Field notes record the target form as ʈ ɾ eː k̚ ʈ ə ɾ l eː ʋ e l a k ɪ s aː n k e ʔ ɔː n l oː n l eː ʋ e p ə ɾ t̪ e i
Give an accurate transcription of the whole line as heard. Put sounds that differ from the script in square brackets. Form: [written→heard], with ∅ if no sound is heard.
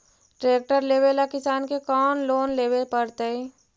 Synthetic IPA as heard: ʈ ɾ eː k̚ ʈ ə ɾ l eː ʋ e l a k ɪ s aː n k e [ʔ→k] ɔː n l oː n l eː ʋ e p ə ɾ t̪ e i